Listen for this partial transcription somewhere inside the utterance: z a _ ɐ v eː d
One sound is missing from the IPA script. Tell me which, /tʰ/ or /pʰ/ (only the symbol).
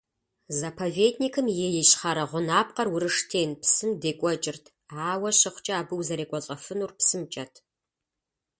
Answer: pʰ